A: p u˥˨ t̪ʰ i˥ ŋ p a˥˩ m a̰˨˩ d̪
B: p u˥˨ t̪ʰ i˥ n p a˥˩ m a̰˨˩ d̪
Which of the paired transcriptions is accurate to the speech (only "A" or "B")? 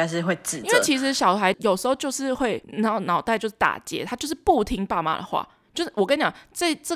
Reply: A